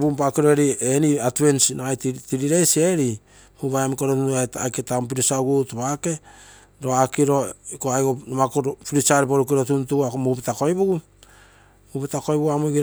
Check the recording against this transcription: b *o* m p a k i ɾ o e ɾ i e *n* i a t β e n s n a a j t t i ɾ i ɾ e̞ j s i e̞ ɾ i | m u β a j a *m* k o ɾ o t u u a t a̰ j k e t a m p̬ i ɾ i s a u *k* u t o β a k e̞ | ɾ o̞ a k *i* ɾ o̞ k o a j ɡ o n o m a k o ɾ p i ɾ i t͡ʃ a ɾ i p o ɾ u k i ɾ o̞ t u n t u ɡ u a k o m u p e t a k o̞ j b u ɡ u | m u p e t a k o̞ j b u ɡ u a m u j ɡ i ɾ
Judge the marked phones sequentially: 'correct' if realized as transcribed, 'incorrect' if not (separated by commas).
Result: incorrect, correct, correct, incorrect, correct